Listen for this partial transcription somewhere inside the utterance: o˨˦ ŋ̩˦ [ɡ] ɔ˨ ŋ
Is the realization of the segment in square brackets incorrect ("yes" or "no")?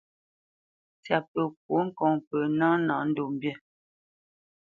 yes